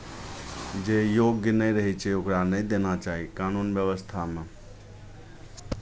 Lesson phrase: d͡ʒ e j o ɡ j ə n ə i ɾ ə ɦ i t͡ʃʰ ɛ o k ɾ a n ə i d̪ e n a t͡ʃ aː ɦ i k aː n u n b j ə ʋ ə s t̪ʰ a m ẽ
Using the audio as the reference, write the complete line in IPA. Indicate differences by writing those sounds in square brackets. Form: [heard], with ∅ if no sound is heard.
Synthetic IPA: d͡ʒ e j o ɡ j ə n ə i ɾ ə ɦ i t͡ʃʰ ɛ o k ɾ a n ə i d̪ e n a t͡ʃ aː ɦ i k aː n u n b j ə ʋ ə s t̪ʰ a m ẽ